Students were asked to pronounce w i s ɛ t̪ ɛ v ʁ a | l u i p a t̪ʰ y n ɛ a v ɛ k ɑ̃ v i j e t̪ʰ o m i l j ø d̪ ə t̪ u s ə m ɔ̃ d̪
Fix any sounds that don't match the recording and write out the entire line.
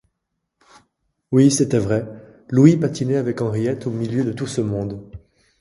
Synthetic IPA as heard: w i s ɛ t̪ ɛ v ʁ ɛ | l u i p a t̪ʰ i n ɛ a v ɛ k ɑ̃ ʁ i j ɛ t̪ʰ o m i l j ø d̪ ə t̪ u s ə m ɔ̃ d̪